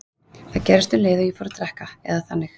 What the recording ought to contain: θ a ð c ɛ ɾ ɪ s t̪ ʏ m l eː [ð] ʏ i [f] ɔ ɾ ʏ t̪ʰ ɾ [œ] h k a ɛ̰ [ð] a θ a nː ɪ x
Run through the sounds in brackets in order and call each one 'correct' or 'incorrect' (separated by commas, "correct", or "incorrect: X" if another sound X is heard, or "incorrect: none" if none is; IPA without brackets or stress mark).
correct, correct, incorrect: ɛ, correct